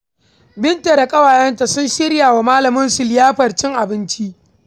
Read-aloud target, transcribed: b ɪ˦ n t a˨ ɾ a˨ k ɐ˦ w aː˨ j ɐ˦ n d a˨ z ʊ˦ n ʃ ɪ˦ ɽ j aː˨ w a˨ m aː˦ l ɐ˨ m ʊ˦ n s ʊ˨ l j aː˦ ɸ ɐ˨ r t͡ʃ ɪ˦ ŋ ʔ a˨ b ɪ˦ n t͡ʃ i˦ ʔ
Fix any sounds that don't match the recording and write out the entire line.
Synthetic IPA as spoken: b ɪ˦ n t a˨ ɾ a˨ kʼ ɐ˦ w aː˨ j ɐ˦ n t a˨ s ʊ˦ n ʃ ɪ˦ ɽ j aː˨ w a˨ m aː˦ l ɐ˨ m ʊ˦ n s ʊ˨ l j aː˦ ɸ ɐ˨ r t͡ʃ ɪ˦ ŋ ʔ a˨ b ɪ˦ n t͡ʃ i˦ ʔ